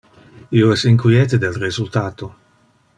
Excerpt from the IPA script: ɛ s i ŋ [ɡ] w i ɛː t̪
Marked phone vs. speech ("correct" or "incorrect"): incorrect